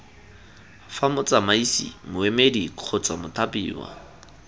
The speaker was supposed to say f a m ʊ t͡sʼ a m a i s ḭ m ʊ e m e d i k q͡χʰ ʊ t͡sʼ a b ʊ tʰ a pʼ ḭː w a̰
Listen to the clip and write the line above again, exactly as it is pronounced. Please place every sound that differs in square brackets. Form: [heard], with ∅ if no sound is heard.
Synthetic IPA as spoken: f a m ʊ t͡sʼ a m a i s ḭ m ʊ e m e d i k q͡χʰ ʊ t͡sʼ a [m] ʊ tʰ a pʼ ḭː w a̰